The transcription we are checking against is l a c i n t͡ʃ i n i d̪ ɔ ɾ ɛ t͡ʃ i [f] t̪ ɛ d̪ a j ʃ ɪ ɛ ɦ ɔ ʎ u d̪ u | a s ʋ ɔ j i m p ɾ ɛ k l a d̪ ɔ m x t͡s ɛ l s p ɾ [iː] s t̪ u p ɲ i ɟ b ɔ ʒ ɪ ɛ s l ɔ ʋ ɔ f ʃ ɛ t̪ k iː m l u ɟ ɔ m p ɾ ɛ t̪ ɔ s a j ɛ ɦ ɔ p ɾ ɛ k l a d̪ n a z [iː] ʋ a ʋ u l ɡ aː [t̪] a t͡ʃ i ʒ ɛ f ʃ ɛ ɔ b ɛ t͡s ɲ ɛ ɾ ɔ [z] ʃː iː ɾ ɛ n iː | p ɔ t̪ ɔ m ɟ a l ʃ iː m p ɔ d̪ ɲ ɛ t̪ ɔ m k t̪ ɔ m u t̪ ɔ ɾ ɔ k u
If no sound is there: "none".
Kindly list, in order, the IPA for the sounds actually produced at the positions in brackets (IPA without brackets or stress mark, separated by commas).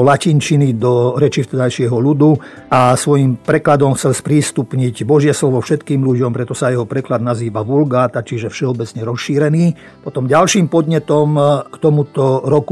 f, iː, iː, t̪, s